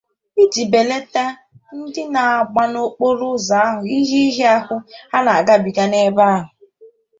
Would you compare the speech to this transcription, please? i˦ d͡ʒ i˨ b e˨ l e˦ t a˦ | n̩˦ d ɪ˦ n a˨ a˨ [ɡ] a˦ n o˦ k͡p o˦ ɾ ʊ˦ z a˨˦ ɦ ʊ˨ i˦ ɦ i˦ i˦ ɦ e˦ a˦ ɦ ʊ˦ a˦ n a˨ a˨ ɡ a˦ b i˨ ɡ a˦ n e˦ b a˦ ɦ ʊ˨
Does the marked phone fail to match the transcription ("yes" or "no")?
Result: yes